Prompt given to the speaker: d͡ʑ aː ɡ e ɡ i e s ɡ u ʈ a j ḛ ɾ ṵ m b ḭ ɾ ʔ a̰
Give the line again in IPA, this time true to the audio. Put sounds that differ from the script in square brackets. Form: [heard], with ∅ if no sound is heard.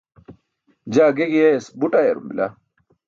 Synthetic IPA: d͡ʑ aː ɡ e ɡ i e s [b] u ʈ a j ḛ ɾ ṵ m b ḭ [l] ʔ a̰